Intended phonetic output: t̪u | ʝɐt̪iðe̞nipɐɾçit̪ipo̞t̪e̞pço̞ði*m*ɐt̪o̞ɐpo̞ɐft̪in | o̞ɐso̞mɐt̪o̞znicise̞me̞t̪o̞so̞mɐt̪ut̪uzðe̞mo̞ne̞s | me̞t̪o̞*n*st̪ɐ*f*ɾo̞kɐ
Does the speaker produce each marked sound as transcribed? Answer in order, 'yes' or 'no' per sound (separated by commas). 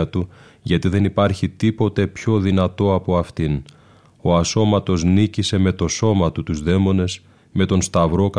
no, yes, no